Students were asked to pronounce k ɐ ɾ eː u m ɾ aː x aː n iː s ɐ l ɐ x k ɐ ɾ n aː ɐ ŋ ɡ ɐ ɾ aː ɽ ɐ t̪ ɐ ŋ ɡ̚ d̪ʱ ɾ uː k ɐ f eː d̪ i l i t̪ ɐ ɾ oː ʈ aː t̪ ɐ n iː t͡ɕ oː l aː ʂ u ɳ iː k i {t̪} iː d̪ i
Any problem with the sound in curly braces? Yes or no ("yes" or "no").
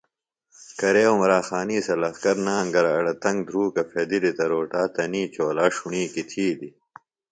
yes